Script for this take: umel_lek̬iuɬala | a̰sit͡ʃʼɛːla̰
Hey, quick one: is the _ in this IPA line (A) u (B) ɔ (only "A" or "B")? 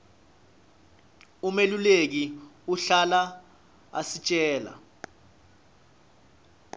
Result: A